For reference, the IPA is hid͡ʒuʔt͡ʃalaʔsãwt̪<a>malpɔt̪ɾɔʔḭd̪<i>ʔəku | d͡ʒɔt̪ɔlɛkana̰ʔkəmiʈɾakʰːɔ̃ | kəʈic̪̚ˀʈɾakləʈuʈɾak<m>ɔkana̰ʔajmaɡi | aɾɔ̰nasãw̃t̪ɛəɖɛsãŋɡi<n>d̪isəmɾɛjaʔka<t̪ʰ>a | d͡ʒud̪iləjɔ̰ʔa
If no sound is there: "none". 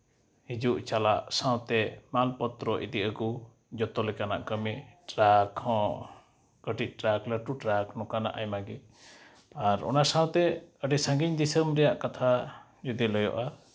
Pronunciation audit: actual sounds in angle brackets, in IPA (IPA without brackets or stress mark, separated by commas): ɛ, i, n, ɲ, t̪ʰ